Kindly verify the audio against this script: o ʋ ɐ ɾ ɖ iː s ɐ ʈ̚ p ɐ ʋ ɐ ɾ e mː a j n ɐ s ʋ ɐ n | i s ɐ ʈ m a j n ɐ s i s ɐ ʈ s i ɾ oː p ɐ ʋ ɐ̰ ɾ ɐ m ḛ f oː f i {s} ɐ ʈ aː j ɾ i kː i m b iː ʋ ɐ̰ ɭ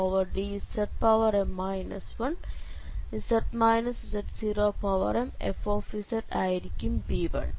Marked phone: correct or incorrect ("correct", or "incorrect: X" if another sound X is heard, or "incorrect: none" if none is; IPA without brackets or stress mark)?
correct